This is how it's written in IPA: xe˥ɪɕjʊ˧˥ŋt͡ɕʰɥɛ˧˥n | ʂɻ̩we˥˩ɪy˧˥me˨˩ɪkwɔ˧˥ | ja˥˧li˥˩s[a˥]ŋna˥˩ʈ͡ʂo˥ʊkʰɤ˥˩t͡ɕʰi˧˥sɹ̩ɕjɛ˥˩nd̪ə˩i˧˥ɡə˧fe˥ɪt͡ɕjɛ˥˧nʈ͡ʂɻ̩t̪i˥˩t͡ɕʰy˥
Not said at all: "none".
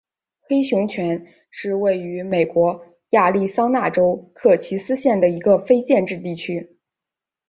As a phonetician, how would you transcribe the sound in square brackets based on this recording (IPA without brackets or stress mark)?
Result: ɑ˥